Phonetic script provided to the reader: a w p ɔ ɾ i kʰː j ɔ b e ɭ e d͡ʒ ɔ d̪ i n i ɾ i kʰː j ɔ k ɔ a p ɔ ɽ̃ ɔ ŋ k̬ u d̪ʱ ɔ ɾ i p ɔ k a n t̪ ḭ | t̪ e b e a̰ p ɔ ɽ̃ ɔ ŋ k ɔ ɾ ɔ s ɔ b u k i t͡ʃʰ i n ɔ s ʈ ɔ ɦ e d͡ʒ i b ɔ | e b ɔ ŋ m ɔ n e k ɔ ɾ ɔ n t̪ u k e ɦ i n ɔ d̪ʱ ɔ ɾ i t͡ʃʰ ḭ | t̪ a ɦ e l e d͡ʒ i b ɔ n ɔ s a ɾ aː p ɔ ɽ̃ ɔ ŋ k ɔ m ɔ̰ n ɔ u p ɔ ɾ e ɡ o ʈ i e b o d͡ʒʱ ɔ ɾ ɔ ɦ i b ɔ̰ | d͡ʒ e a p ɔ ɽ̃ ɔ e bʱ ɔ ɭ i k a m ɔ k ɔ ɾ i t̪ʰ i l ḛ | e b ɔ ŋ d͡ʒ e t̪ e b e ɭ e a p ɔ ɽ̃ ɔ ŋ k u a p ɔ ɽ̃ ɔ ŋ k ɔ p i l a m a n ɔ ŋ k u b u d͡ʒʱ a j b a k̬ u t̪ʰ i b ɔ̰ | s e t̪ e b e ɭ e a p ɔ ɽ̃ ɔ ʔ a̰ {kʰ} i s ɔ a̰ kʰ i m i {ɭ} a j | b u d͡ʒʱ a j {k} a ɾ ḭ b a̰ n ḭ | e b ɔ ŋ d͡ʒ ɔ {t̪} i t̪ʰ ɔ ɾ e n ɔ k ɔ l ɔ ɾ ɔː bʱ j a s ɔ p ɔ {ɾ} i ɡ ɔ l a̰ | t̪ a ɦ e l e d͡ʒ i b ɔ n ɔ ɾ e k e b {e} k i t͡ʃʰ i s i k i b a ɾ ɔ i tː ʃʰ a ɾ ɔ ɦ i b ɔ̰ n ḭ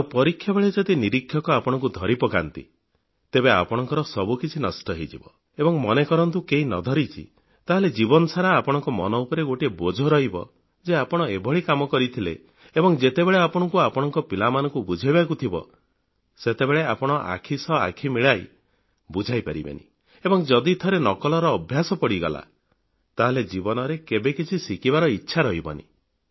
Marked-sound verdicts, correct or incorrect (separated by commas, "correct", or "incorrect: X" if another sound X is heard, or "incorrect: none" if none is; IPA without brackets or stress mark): correct, correct, incorrect: p, incorrect: d̪, incorrect: ɽ, correct